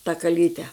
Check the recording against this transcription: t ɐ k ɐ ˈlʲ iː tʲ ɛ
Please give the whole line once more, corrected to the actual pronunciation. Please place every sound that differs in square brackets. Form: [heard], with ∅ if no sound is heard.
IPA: t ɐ k ɐ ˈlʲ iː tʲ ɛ